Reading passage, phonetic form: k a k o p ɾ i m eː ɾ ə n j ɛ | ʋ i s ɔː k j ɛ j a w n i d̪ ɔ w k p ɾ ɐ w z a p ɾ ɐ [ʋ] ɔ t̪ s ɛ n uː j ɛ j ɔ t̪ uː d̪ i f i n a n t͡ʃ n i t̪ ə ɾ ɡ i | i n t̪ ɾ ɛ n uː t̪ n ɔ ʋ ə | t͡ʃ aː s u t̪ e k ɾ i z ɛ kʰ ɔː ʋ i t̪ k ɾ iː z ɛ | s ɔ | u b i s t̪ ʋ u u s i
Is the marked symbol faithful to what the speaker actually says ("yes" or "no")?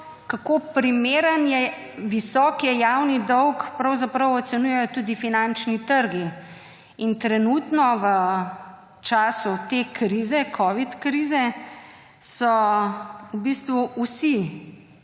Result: no